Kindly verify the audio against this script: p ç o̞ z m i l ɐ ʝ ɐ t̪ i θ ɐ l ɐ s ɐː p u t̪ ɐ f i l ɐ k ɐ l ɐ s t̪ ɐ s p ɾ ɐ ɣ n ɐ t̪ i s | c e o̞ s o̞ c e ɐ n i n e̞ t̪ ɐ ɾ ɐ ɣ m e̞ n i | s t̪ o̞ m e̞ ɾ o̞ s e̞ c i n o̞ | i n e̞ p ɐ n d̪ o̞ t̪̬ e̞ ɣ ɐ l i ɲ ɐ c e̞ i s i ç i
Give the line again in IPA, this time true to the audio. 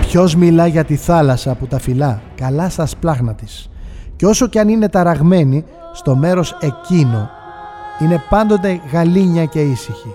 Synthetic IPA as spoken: p ç o̞ z m i l ɐ ʝ ɐ t̪ i θ ɐ l ɐ s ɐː p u t̪ ɐ f i l ɐ k ɐ l ɐ s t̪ ɐ s p l ɐ ɣ n ɐ t̪ i s | c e o̞ s o̞ c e ɐ n i n e̞ t̪ ɐ ɾ ɐ ɣ m e̞ n i | s t̪ o̞ m e̞ ɾ o̞ s e̞ c i n o̞ | i n e̞ p ɐ n d̪ o̞ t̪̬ e̞ ɣ ɐ l i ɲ ɐ c e̞ i s i ç i